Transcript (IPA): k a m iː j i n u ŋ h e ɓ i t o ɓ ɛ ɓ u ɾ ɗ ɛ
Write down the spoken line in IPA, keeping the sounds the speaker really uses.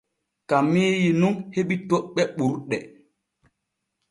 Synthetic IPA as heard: k a m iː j i n u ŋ h e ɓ i t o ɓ ɛ ɓ u ɾ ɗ ɛ